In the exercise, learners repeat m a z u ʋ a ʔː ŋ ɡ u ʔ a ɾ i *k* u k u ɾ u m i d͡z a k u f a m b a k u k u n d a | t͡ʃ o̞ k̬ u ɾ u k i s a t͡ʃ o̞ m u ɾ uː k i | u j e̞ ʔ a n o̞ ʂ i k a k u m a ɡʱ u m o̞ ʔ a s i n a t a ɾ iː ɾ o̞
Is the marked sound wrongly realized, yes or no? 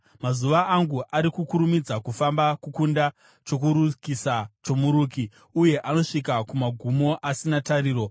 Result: no